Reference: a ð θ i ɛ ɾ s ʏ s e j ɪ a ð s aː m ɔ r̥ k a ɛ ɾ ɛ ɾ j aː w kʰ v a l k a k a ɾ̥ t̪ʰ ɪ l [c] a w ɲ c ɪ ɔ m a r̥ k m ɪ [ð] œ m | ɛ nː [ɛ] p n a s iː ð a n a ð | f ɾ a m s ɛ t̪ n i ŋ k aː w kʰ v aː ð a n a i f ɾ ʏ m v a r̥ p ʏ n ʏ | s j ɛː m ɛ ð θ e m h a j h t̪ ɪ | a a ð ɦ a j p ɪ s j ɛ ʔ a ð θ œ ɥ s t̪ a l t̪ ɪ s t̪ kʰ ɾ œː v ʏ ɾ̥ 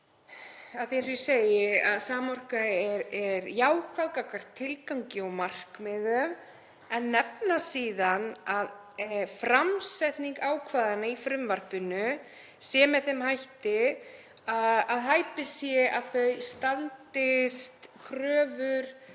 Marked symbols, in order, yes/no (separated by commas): no, yes, yes